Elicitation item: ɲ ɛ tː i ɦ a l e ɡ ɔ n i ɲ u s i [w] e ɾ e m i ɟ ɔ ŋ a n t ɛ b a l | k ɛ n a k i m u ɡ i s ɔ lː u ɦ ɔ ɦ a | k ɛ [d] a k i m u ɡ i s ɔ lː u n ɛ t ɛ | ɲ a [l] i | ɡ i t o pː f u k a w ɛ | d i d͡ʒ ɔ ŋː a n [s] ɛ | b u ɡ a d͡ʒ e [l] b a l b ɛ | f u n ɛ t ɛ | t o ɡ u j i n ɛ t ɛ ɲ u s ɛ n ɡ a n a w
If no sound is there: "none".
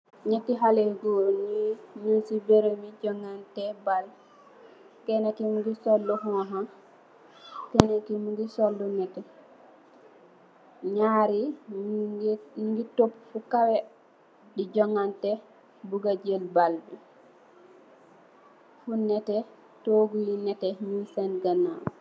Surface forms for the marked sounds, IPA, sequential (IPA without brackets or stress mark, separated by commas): b, n, ɾ, t, l